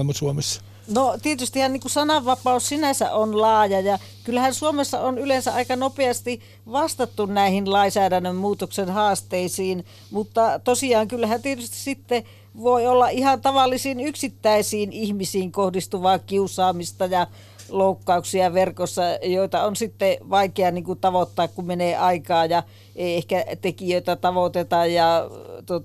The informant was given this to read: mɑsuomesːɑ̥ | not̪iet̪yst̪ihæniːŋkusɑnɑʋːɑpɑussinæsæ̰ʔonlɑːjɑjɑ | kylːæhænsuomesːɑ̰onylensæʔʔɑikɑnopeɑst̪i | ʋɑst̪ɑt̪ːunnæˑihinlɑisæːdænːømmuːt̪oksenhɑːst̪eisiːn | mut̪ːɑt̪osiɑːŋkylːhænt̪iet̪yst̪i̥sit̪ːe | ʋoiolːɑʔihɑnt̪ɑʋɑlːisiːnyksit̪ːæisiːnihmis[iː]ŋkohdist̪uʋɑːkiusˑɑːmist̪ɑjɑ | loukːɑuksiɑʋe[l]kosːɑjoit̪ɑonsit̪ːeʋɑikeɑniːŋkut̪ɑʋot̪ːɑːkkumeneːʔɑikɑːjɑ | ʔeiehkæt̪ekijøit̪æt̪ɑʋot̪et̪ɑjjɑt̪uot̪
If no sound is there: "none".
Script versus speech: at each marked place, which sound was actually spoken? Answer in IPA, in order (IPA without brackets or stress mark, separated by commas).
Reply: iː, r